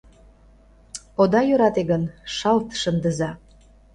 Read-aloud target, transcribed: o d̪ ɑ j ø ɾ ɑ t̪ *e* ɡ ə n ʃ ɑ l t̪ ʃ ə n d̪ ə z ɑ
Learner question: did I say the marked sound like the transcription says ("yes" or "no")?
yes